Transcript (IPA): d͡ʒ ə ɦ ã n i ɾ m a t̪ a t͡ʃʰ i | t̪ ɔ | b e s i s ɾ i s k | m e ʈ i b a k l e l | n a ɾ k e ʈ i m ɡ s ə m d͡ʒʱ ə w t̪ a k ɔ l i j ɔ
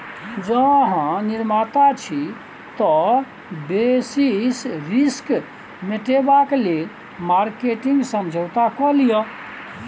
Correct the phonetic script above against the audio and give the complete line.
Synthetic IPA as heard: d͡ʒ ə ɦ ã n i ɾ m a t̪ a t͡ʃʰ i | t̪ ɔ | b e s i s ɾ i s k | m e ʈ e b a k l e l | m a ɾ k e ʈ i ŋ ɡ s ə m d͡ʒʱ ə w t̪ a k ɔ l i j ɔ